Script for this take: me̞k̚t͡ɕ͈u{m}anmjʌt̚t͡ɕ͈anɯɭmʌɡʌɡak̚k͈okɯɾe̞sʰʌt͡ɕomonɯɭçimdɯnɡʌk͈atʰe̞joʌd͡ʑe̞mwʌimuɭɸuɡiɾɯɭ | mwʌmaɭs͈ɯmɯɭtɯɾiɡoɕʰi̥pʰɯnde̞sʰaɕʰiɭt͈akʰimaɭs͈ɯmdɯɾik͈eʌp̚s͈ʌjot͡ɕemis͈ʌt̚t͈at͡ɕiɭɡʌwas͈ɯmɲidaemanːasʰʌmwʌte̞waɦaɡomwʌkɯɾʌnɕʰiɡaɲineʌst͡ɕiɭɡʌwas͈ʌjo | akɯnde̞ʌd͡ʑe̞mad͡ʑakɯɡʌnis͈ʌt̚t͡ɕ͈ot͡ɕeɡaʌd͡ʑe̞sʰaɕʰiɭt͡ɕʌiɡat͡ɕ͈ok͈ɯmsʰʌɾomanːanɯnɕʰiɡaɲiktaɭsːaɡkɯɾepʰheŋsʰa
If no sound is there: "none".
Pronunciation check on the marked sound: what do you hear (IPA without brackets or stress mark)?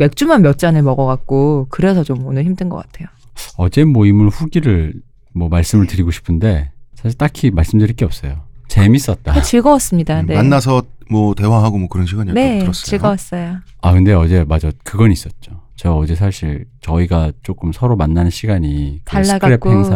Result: m